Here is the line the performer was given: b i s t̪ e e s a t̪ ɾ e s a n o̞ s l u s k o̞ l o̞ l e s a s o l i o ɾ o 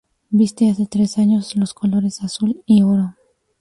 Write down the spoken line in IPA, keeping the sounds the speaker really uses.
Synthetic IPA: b i s t̪ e a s e t̪ ɾ e s a ɲ o̞ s l o s k o̞ l o̞ ɾ e s a s u l i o ɾ o